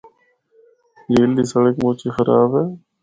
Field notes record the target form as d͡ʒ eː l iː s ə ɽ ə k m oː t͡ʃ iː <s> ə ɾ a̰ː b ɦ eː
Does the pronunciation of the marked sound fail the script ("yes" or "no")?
yes